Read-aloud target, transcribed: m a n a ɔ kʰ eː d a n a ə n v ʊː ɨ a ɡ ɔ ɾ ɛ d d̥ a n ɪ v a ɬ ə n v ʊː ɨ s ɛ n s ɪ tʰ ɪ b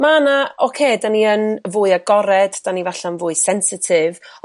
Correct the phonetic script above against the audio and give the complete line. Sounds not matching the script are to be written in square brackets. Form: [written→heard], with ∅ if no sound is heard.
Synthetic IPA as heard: m a n a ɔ kʰ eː d a n [a→i] ə n v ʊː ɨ a ɡ ɔ ɾ ɛ d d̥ a n [ɪ→i] v a ɬ [ə→a] n v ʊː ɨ s ɛ n s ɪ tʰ ɪ [b→v]